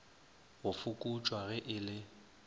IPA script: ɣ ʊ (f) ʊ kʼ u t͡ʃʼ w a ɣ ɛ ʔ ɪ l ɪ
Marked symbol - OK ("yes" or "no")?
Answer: yes